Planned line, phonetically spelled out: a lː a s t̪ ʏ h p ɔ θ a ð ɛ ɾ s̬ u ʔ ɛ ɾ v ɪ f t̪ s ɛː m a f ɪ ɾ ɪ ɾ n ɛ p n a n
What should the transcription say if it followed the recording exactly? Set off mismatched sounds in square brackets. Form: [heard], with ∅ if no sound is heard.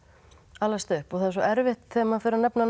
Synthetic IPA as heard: a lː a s t̪ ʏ h p ɔ θ a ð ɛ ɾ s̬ [ɔ] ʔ ɛ ɾ v ɪ [h] t̪ [θ] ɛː m a f ɪ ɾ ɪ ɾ n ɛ p n a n